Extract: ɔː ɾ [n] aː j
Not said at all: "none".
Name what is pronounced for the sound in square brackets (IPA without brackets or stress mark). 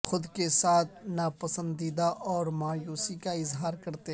m